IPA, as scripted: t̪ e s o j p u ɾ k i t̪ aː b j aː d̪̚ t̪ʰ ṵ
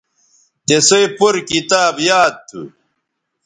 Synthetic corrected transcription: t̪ e s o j p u ɾ k i t̪ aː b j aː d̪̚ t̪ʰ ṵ